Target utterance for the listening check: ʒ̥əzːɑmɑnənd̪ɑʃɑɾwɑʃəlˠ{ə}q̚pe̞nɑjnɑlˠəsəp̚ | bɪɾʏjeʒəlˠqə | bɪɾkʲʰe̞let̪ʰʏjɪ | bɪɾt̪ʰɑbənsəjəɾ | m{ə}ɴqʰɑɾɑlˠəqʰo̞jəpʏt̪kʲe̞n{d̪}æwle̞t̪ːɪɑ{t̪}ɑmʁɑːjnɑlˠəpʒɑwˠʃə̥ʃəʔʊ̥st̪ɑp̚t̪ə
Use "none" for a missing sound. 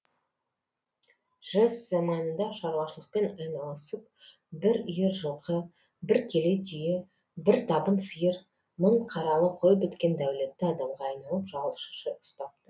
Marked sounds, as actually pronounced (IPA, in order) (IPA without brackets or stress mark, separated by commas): ə, ə, d̪, d̪